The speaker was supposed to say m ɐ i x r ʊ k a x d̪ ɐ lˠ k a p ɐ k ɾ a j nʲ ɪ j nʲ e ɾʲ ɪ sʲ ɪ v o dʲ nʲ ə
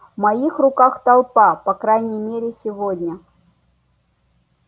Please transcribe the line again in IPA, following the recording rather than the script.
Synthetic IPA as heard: m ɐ i x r ʊ k a x t̪ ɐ lˠ p a p ɐ k ɾ a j nʲ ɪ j mʲ e ɾʲ ɪ sʲ ɪ v o dʲ nʲ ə